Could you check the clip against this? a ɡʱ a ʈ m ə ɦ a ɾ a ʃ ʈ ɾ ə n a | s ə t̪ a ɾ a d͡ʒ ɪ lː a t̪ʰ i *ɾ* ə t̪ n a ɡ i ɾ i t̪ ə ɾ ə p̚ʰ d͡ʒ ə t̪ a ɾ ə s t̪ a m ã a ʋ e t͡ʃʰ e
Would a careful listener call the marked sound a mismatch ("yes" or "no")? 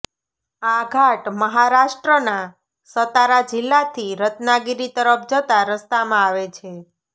no